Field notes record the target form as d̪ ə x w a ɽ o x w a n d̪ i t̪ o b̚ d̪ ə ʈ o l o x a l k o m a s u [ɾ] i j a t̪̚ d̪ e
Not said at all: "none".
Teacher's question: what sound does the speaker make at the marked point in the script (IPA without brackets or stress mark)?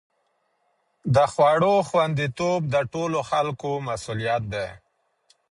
l